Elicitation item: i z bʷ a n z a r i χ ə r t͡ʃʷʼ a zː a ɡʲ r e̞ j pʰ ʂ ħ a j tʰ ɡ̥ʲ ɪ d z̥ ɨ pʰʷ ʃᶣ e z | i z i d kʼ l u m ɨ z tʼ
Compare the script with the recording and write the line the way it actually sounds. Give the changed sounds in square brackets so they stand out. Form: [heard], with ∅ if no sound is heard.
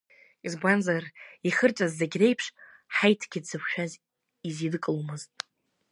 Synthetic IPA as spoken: i z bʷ a n z a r i χ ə r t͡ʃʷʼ a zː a ɡʲ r e̞ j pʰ ʂ ħ a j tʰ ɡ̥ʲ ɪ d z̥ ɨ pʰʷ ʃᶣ [a] z | i z i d kʼ l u m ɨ z tʼ